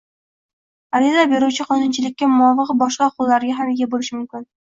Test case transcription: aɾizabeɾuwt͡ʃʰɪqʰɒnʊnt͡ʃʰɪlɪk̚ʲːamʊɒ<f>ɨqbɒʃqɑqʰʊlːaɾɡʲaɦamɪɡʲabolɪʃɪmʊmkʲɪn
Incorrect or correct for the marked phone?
incorrect: v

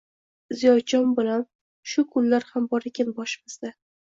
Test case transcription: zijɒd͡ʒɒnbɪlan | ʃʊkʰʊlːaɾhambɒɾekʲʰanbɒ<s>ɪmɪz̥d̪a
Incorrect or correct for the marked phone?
incorrect: ʃ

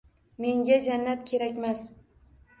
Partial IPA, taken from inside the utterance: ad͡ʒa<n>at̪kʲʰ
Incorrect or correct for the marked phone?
incorrect: nː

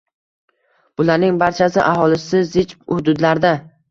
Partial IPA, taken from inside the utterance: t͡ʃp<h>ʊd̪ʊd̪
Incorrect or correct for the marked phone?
correct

